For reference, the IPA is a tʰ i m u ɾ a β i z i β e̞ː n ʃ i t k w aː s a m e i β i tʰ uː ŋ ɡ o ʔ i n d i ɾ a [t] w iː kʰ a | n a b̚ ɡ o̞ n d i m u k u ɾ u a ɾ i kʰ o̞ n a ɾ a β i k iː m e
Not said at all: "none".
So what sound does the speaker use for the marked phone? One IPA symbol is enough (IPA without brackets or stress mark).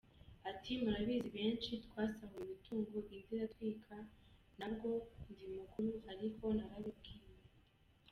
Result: t